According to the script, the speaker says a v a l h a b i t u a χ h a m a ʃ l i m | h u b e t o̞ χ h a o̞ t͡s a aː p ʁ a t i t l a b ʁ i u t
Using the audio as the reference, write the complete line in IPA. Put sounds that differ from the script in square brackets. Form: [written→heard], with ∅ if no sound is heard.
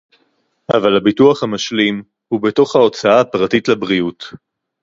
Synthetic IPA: a v a l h a b i t u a χ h a m a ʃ l i m | h u b e t o̞ χ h a o̞ t͡s a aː p ʁ a t i t l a b ʁ i u t

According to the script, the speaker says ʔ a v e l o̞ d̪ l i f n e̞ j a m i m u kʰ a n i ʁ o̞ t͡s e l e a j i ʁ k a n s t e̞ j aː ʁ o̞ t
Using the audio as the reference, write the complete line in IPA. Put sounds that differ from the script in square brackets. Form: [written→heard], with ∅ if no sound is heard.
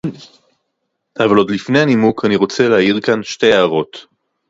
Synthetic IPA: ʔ a v [e→a] l o̞ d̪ l i f n e̞ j a [m→n] i m u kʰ a n i ʁ o̞ t͡s e l e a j i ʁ k a n [s→ʃ] t e̞ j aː ʁ o̞ t

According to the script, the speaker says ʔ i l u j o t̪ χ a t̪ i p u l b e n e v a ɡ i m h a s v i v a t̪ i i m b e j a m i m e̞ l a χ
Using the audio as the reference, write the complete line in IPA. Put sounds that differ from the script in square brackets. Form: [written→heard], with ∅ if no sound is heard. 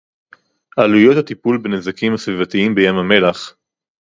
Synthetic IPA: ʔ [i→a] l u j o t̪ [χ→h] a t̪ i p u l b e n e [v→z] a [ɡ→k] i m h a s v i v a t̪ i i m b e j a m [i→a] m e̞ l a χ

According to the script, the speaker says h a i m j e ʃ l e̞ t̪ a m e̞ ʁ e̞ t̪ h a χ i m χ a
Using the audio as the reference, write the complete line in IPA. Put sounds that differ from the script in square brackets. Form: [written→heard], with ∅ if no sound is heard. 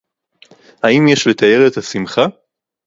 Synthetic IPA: h a i m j e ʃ l e̞ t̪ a [m→∅] e̞ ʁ e̞ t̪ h a [χ→s] i m χ a

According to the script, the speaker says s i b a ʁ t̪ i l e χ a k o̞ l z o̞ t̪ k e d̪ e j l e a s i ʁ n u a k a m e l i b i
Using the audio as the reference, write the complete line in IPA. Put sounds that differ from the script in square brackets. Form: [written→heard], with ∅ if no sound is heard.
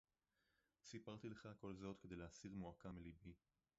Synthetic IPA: s i [b→p] a ʁ t̪ i l e χ a k o̞ l z o̞ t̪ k e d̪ e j l e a s i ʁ [n→m] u a k a m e l i b i

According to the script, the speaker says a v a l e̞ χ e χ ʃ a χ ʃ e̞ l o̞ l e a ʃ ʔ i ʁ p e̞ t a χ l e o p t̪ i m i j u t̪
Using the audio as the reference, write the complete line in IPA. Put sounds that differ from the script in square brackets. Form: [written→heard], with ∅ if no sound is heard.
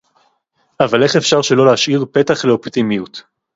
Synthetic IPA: a v a l e̞ χ e [χ→f] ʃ a [χ→ʁ] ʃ e̞ l o̞ l e a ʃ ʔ i ʁ p e̞ t a χ l e o p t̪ i m i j u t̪

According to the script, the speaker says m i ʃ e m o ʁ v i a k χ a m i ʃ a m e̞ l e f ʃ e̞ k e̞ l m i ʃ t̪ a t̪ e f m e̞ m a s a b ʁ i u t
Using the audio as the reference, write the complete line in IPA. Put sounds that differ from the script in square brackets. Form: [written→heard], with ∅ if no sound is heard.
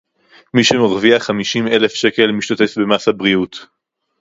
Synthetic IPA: m i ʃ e m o ʁ v i a [k→∅] χ a m i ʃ [a→i] m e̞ l e f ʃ e̞ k e̞ l m i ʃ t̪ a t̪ e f [m→b] e̞ m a s a b ʁ i u t

